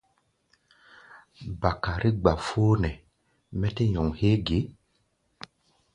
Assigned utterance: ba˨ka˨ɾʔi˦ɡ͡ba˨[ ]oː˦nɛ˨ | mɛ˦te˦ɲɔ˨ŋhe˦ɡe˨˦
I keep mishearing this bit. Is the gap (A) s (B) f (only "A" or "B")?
B